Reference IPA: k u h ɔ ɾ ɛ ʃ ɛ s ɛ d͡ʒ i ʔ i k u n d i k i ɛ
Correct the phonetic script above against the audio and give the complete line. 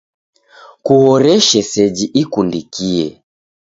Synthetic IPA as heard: k u h ɔ ɾ ɛ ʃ ɛ s ɛ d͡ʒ i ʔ i k u n d i k i ɛ